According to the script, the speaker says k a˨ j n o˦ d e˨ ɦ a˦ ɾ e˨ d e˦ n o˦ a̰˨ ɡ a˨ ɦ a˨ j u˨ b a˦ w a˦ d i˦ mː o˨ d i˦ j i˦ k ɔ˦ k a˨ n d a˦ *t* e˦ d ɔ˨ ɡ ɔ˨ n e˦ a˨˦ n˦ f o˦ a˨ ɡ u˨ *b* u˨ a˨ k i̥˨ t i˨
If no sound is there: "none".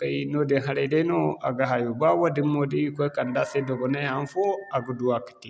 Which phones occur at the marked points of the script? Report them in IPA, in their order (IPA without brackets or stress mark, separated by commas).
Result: s, d